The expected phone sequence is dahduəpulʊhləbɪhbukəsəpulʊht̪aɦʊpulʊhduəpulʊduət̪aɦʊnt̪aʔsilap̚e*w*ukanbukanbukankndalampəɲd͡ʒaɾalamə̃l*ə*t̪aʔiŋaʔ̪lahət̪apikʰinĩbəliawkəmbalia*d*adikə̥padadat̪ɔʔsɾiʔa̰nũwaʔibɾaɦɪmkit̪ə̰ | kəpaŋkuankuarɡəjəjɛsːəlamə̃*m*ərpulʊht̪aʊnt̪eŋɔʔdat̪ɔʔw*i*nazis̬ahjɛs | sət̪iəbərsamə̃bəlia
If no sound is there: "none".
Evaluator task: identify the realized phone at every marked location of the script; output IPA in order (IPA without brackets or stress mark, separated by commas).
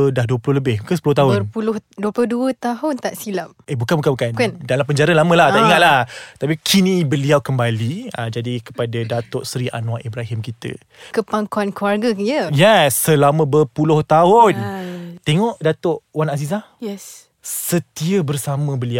b, a, d͡ʒ, b, a